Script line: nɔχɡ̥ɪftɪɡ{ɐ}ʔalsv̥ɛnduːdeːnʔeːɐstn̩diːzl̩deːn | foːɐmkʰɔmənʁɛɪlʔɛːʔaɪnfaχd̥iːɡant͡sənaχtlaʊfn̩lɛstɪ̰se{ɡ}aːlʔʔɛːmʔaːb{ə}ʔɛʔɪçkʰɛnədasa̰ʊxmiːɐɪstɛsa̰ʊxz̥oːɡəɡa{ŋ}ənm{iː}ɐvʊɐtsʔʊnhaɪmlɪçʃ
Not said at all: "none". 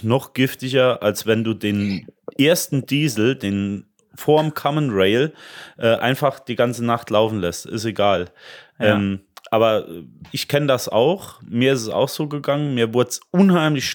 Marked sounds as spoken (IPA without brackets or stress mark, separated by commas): ɐ, ɡ, ɐ, ŋ, iː